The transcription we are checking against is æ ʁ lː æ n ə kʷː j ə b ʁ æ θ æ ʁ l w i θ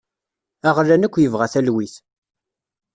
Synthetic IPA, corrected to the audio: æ ʁ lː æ n ə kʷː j ə v ʁ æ θ æ l w i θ